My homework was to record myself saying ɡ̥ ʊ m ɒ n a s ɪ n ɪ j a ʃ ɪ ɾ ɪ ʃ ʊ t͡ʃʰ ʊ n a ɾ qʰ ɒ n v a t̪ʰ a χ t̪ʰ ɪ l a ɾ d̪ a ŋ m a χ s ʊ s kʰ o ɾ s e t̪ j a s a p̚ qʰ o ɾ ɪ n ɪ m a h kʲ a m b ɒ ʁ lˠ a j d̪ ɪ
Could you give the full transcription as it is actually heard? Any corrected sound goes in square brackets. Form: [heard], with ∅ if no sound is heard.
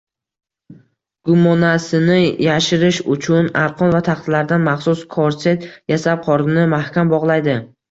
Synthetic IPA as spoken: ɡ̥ ʊ m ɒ n a s ɪ n ɪ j a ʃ ɪ ɾ ɪ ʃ ʊ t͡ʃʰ ʊ n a ɾ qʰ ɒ n v a t̪ʰ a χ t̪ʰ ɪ l a ɾ d̪ a [n] m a χ s ʊ s kʰ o ɾ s e t̪ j a s a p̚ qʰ [ɒ] ɾ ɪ n ɪ m a h kʲ a m b ɒ ʁ lˠ a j d̪ ɪ

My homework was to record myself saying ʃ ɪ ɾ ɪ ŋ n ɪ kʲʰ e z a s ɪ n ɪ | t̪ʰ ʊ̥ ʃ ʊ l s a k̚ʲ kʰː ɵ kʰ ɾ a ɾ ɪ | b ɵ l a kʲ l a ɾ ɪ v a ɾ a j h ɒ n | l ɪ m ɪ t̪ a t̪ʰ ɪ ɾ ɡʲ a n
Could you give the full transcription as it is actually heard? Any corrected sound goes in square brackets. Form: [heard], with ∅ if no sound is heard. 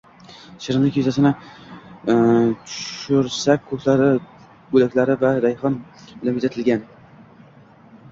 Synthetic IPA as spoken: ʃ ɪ ɾ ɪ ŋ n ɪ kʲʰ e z a s ɪ n ɪ | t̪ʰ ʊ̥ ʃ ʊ [ɾ] s a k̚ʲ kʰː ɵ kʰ [l] a ɾ ɪ | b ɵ l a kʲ l a ɾ ɪ v a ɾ a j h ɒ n | l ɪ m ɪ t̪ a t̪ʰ ɪ [l] ɡʲ a n

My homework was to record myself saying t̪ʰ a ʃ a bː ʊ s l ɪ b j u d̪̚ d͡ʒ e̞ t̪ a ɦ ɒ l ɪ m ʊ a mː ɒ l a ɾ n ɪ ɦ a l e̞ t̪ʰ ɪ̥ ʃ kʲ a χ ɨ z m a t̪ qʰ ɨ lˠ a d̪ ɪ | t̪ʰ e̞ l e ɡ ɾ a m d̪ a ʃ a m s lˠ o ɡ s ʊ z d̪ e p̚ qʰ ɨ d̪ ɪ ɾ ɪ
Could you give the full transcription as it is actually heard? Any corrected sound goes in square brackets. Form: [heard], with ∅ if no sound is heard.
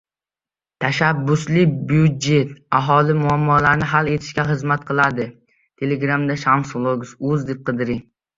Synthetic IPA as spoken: t̪ʰ a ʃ a bː ʊ s l ɪ b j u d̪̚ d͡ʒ e̞ t̪ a ɦ ɒ l ɪ m ʊ a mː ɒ l a ɾ n ɪ ɦ a l e̞ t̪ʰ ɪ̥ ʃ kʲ a χ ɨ z m a t̪ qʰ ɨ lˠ a d̪ ɪ | t̪ʰ e̞ l e ɡ ɾ a m d̪ a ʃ a m s lˠ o ɡ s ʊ z d̪ e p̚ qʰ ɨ d̪ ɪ ɾ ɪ

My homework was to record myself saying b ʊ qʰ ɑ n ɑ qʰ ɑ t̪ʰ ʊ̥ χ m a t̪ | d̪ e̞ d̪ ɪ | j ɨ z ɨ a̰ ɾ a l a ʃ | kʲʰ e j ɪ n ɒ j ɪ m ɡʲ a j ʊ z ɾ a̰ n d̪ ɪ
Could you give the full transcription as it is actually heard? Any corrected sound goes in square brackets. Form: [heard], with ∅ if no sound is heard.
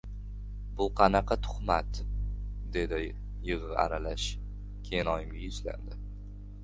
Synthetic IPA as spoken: b ʊ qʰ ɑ n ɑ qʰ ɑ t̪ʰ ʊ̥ χ m a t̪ | d̪ e̞ d̪ ɪ | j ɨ [ʁ] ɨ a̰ ɾ a l a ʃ | kʲʰ e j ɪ n ɒ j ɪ m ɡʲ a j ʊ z [l] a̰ n d̪ ɪ

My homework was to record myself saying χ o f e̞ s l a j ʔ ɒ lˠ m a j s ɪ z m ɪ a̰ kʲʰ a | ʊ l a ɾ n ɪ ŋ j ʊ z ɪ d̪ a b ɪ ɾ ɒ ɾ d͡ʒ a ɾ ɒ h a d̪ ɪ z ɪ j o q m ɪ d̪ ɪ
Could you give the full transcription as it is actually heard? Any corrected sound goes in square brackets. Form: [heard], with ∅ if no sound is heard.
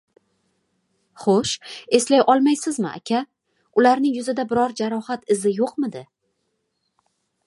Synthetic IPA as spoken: χ o [ʃ] e̞ s l a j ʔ ɒ lˠ m a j s ɪ z m ɪ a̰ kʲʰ a | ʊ l a ɾ n ɪ ŋ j ʊ z ɪ d̪ a b ɪ ɾ ɒ ɾ d͡ʒ a ɾ ɒ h a [t̪] ɪ z ɪ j o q m ɪ d̪ ɪ

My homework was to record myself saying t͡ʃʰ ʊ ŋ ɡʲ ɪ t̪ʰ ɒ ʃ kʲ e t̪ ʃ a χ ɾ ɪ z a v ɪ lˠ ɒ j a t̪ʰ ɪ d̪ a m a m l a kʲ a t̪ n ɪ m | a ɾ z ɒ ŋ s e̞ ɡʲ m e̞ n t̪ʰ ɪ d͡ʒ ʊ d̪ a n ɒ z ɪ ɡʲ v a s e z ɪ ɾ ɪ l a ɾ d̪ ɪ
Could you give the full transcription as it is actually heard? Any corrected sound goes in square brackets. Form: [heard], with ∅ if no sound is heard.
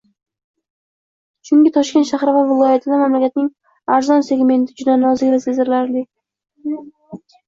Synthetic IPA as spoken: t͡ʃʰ ʊ ŋ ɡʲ ɪ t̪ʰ ɒ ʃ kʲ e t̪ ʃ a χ ɾ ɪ [v] a v ɪ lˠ ɒ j a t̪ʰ ɪ d̪ a m a m l a kʲ a t̪ n ɪ [ŋ] | a ɾ z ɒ [n] s e̞ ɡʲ m e̞ n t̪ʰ ɪ d͡ʒ ʊ d̪ a n ɒ z ɪ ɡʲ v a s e z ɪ ɾ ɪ l a ɾ d̪ ɪ

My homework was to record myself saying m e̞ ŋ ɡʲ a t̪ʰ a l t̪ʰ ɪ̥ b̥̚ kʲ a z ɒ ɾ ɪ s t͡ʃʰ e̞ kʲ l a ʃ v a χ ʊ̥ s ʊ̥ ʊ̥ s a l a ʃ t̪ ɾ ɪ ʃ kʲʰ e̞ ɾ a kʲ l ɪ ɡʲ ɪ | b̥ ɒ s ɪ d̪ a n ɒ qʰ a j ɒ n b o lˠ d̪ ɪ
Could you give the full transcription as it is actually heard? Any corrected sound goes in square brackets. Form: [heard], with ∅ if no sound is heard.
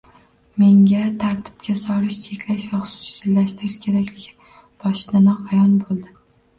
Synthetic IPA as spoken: m e̞ ŋ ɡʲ a t̪ʰ a [ɾ] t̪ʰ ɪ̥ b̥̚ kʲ a [s] ɒ ɾ ɪ [ʃ] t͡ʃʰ e̞ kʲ l a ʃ v a χ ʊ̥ s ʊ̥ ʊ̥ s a l a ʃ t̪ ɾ ɪ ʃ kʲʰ e̞ ɾ a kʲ l ɪ ɡʲ ɪ | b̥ ɒ [ʃ] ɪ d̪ a n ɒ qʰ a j ɒ n b o lˠ d̪ ɪ

